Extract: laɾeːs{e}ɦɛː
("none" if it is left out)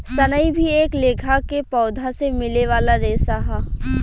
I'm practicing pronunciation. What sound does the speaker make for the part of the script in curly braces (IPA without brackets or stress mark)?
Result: a